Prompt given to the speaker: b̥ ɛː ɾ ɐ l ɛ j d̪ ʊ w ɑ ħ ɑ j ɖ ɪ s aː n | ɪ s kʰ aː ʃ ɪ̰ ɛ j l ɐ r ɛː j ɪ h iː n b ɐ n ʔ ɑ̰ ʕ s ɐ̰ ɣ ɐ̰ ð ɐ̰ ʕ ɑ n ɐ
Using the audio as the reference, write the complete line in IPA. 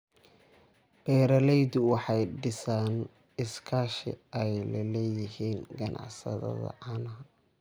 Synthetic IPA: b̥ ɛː ɾ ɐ l ɛ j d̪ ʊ w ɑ ħ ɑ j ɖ ɪ s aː n | ɪ s kʰ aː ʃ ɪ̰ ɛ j l ɐ l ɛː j ɪ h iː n ɡ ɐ n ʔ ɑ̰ ʕ s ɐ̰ ð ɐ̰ ð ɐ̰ ʕ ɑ n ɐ

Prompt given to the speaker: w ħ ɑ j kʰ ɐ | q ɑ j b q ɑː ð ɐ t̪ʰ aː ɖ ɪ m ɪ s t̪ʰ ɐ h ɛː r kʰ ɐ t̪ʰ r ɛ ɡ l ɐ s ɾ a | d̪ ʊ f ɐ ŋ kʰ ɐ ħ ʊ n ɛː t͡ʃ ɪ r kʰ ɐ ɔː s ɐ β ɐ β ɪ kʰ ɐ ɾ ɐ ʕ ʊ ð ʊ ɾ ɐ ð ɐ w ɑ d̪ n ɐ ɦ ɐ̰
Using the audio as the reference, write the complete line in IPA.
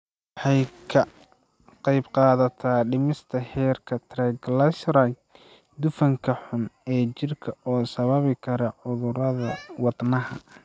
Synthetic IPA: w ħ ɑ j kʰ ɐ | q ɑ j b q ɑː ð ɐ t̪ʰ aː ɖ ɪ m ɪ s t̪ʰ ɐ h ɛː r kʰ ɐ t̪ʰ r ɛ ɡ l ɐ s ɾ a | d̪ ʊ f ɐ ŋ kʰ ɐ ħ ʊ n ɛː t͡ʃ ɪ r kʰ ɐ ɔː s ɐ β ɐ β ɪ kʰ ɐ ɾ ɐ ʕ ʊ ð ʊ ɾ ɐ ð ɐ w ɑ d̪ n ɐ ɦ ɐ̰

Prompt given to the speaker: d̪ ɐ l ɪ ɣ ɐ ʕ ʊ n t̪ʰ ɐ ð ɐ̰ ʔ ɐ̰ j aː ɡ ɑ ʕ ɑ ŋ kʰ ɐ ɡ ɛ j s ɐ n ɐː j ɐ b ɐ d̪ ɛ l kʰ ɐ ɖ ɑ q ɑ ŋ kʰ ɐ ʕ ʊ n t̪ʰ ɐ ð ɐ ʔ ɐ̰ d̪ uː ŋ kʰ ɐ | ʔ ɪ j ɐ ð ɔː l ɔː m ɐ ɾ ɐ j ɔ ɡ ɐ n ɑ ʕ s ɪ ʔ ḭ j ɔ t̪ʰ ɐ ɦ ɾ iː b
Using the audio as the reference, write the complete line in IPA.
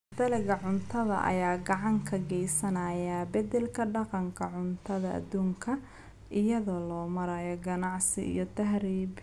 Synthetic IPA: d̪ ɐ l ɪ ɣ ɐ ʕ ʊ n t̪ʰ ɐ ð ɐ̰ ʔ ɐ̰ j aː ɡ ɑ ʕ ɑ ŋ kʰ ɐ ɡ ɛ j s ɐ n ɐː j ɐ b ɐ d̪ ɛ l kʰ ɐ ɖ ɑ q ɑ ŋ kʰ ɐ ʕ ʊ n t̪ʰ ɐ ð ɐ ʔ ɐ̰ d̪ uː ŋ kʰ ɐ | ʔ ɪ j ɐ ð ɔː l ɔː m ɐ ɾ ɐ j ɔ ɡ ɐ n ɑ ʕ s ɪ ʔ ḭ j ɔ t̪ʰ ɐ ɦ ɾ iː b

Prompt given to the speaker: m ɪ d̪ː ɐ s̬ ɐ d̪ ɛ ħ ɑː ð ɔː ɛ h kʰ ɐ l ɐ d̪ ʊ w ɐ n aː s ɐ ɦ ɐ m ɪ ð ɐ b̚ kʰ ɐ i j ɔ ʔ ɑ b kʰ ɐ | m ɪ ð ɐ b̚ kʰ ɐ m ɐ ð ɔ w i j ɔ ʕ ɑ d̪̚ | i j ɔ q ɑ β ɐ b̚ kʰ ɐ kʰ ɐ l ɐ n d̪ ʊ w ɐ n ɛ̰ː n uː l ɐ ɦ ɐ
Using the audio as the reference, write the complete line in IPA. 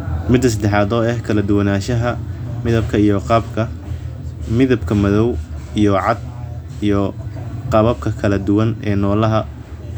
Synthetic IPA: m ɪ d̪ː ɐ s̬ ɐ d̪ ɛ ħ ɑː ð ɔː ɛ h kʰ ɐ l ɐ d̪ ʊ w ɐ n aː ʃ ɐ ɦ ɐ m ɪ ð ɐ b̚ kʰ ɐ i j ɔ q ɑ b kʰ ɐ | m ɪ ð ɐ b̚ kʰ ɐ m ɐ ð ɔ w i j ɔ ʕ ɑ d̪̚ | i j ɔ q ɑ β ɐ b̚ kʰ ɐ kʰ ɐ l ɐ d̪ ʊ w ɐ n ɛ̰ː n ɔː l ɐ ɦ ɐ

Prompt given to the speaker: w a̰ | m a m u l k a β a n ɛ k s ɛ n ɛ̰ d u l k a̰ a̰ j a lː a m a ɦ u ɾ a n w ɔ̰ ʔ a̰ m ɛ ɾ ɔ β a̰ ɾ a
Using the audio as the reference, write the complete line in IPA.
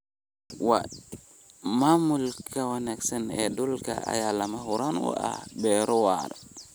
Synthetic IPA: w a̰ | m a m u l k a w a n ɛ k s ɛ n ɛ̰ d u l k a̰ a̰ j a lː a m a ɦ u ɾ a n w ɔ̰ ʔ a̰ b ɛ ɾ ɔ w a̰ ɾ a

